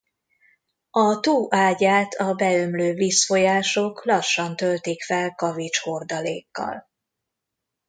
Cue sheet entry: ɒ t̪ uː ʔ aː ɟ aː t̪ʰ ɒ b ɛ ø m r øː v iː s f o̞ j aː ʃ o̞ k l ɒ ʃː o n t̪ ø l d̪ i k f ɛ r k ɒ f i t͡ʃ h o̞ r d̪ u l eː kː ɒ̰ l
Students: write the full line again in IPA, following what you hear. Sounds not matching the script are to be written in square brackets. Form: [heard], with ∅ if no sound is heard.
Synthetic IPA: ɒ t̪ uː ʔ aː ɟ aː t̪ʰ ɒ b ɛ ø m [l] øː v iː s f o̞ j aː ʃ o̞ k l ɒ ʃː [ɒ] n t̪ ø l [t̪] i k f ɛ [l] k ɒ [v] i t͡ʃ h o̞ r d̪ [ɒ] l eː kː ɒ̰ l